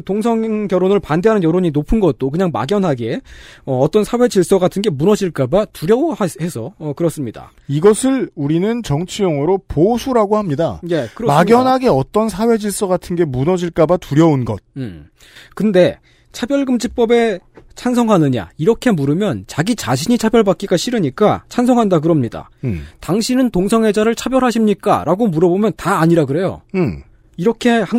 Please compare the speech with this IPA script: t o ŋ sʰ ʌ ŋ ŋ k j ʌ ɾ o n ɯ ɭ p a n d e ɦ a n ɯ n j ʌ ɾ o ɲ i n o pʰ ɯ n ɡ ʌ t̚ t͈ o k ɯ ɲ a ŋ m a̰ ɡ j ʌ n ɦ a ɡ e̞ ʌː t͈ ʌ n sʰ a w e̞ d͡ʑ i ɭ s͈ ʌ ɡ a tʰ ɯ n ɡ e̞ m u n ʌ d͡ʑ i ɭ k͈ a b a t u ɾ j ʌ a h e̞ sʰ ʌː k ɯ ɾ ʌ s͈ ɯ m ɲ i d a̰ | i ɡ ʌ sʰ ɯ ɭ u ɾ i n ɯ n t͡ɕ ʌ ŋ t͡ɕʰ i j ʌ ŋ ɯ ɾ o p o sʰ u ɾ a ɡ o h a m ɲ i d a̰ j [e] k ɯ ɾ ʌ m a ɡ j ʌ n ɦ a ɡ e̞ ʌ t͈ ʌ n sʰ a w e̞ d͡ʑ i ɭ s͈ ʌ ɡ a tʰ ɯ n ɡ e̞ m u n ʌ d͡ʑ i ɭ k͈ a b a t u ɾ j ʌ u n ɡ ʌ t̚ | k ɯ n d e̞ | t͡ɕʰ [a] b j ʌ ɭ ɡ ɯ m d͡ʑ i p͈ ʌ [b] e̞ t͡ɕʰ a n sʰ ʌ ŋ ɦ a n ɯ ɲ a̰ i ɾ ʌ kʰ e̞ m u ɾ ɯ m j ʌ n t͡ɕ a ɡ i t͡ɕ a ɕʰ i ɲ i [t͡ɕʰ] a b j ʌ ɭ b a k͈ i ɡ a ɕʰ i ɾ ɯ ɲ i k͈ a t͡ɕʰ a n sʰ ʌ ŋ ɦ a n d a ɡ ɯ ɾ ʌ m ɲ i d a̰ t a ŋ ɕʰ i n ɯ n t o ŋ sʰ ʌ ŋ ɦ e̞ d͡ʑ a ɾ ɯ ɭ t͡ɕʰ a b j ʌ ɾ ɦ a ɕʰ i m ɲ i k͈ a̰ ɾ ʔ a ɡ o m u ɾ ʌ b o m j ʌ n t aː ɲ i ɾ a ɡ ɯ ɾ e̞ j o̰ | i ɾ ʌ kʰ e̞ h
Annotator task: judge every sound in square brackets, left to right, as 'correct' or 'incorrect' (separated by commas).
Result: correct, correct, correct, correct